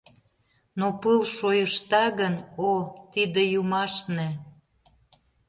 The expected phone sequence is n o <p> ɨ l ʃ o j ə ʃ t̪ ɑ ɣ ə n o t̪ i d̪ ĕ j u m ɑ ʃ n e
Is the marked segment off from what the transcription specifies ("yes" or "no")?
no